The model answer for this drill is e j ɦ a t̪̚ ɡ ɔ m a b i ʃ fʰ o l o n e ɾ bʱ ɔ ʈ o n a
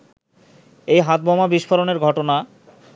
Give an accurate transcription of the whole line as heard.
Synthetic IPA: e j ɦ a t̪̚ b ɔ m a b i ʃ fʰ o ɾ o n e ɾ ɡʱ ɔ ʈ o n a